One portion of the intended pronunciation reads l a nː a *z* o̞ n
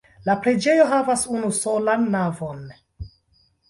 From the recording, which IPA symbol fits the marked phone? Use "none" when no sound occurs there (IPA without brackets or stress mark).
v